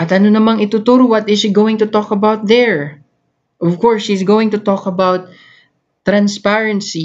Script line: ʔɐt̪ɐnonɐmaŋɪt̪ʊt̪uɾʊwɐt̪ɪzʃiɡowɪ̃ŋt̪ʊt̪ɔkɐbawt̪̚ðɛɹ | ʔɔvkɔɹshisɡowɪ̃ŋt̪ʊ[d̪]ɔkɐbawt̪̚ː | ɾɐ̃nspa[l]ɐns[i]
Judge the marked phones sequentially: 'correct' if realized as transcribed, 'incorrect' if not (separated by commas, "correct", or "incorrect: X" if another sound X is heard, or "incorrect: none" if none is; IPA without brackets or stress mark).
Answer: incorrect: t̪, incorrect: ɹ, correct